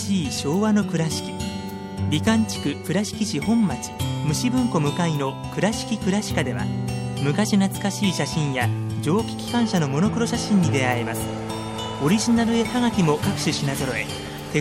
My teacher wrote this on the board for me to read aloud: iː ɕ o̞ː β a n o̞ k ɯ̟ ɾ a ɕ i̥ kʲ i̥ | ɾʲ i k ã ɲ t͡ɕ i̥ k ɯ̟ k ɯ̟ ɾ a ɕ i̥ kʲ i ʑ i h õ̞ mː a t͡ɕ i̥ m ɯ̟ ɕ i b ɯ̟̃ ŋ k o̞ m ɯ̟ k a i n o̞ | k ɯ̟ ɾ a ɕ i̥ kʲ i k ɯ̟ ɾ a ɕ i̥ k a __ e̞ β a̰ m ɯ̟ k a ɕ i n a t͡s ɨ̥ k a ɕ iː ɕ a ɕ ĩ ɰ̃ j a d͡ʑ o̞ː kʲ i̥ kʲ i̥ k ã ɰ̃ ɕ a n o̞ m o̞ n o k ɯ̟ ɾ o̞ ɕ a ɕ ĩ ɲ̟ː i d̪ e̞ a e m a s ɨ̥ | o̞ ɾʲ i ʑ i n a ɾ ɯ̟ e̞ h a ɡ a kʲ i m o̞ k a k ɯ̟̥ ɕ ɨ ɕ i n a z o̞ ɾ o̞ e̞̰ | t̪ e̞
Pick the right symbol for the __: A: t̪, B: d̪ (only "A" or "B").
B